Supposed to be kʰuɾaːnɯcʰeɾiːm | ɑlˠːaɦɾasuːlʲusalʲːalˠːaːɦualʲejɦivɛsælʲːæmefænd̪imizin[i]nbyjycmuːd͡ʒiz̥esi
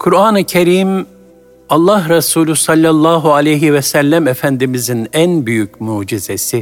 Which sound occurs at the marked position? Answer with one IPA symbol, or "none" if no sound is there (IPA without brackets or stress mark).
æ